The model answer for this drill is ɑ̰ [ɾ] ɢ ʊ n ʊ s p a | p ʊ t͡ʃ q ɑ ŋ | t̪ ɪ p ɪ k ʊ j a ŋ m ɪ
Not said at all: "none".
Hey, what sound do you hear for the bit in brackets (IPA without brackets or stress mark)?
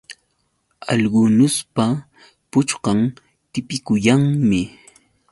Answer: ʎ